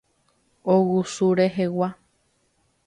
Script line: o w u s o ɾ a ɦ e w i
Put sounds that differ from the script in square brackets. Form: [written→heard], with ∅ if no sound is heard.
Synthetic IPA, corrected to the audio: o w u s [o→u] ɾ [a→e] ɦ e w [i→a]